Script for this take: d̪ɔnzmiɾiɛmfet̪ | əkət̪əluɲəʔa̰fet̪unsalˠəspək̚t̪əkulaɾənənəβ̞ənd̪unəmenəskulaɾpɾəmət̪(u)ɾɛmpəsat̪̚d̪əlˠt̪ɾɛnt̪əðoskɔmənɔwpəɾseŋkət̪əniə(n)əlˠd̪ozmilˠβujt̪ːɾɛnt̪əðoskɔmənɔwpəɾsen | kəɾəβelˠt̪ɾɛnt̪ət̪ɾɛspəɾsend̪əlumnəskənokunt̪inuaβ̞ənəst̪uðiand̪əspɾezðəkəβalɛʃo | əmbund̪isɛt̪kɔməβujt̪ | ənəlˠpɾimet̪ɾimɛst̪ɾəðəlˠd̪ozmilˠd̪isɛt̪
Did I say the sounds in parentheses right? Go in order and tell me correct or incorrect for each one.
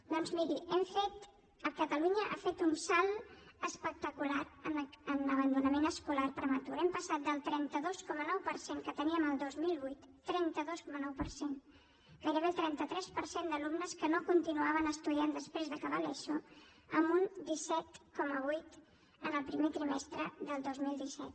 correct, incorrect: m

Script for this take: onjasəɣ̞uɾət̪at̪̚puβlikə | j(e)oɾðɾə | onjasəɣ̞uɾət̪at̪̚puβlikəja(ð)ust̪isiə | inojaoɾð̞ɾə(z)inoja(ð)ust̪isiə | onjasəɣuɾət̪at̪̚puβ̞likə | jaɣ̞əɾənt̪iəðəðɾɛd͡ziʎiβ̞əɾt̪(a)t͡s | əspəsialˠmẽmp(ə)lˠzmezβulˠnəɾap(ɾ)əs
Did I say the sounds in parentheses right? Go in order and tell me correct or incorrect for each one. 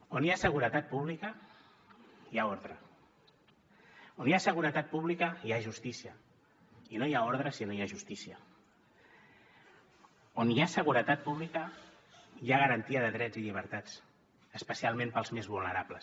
incorrect: a, incorrect: ʒ, incorrect: s, incorrect: ʒ, correct, correct, incorrect: l

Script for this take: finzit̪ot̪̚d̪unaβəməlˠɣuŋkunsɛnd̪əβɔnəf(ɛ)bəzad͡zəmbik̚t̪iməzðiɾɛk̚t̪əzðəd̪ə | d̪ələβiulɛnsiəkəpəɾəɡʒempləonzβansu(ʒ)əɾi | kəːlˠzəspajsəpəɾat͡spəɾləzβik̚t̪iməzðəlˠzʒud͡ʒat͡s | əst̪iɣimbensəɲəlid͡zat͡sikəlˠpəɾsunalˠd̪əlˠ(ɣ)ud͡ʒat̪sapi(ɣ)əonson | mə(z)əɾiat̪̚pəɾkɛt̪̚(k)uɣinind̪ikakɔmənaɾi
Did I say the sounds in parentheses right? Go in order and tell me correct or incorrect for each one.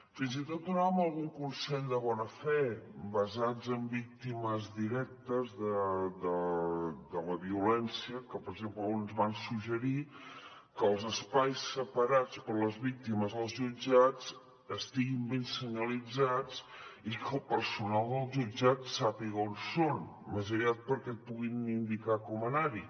correct, correct, incorrect: ʒ, correct, correct, incorrect: p

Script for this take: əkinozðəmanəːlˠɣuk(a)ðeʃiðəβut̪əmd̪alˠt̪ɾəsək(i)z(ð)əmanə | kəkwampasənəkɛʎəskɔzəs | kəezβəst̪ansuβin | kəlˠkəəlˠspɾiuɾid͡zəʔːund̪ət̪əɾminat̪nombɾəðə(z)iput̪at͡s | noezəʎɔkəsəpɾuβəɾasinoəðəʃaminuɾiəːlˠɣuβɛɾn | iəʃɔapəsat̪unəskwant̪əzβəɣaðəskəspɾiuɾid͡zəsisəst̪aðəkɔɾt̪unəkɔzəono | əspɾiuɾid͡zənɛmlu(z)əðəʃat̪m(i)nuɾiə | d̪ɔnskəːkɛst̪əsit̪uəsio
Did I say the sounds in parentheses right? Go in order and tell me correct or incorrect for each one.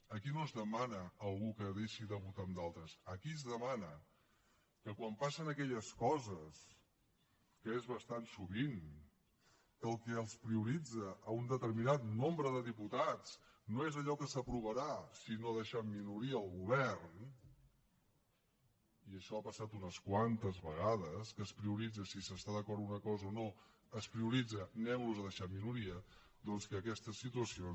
incorrect: ə, correct, correct, incorrect: ð, correct, correct

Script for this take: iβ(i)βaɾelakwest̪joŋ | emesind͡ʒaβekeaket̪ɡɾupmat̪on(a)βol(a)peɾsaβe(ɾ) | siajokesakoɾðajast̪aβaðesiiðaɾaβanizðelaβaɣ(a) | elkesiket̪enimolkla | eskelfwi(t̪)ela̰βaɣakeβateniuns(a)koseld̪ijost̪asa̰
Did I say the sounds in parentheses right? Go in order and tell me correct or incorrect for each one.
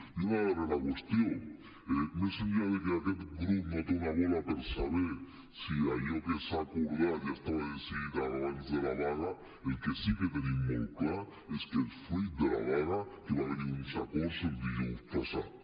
incorrect: a, correct, correct, correct, correct, incorrect: d̪, correct

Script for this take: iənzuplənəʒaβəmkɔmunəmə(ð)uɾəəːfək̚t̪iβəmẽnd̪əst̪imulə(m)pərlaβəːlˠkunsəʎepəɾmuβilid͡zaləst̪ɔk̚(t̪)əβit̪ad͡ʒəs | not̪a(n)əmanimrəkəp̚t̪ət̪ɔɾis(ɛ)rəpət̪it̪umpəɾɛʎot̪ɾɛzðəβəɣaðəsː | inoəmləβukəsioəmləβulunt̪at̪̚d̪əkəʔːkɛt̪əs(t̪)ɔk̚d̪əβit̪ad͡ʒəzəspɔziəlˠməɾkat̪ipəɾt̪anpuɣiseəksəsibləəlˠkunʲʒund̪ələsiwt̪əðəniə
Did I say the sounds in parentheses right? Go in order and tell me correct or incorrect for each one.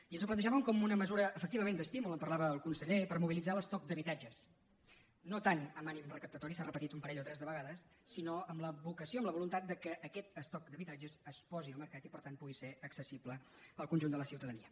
incorrect: z, correct, incorrect: d̪, correct, incorrect: a, correct

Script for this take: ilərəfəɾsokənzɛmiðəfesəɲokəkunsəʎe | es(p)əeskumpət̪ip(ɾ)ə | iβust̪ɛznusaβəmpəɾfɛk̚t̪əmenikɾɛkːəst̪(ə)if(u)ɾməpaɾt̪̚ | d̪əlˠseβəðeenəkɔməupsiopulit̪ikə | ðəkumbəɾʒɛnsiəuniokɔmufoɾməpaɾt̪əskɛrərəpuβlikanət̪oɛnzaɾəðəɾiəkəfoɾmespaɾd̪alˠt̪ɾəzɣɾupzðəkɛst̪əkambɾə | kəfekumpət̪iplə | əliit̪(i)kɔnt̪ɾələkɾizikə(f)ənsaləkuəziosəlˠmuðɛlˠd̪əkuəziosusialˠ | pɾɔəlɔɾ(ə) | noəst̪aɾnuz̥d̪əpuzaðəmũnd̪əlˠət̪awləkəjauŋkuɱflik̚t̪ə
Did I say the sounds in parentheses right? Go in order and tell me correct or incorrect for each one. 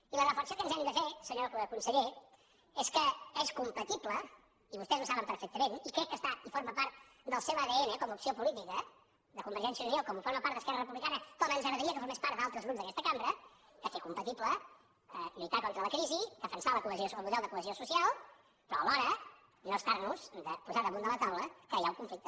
incorrect: k, incorrect: l, incorrect: a, incorrect: o, incorrect: a, correct, correct

